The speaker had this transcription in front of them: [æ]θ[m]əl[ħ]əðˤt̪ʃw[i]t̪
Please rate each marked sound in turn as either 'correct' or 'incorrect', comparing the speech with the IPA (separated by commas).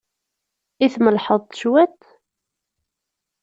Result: incorrect, correct, correct, incorrect